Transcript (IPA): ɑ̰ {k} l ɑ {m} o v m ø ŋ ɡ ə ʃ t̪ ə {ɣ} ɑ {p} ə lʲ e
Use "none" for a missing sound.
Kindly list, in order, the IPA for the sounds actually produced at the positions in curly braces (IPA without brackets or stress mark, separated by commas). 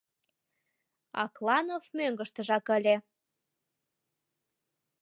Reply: k, n, ʒ, k